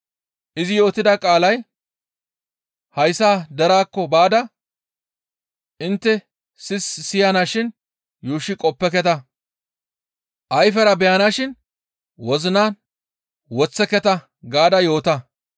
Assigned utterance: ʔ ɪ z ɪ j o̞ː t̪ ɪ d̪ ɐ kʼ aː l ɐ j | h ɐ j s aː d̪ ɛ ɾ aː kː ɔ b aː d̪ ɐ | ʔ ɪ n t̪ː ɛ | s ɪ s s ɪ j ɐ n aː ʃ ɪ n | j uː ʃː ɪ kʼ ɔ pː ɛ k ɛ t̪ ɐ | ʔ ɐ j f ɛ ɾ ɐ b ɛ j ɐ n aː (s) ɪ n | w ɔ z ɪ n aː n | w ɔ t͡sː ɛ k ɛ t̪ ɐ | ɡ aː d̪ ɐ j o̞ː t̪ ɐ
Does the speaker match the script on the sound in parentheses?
no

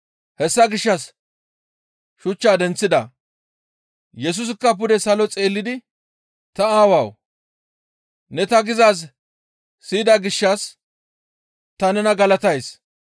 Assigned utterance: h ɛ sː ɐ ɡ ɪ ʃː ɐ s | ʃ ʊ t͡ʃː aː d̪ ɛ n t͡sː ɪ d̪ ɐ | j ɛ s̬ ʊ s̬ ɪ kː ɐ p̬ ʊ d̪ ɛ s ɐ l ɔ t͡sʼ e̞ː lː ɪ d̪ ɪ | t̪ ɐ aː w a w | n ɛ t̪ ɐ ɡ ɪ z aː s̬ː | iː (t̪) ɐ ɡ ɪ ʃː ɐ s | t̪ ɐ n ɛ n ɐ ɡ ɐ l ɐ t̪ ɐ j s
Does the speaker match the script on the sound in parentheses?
no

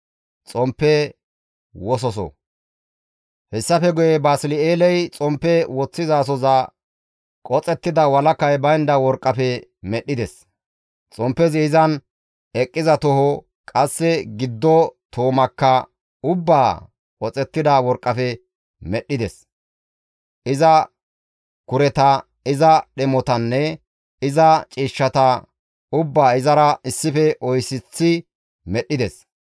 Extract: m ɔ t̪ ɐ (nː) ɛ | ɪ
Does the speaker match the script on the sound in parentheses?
yes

